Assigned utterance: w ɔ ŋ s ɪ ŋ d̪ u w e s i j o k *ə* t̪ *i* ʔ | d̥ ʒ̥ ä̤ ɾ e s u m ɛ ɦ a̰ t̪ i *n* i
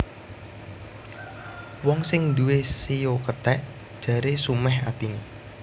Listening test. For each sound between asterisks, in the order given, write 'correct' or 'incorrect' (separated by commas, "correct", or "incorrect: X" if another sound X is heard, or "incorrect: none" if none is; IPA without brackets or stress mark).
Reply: correct, incorrect: ɛ, correct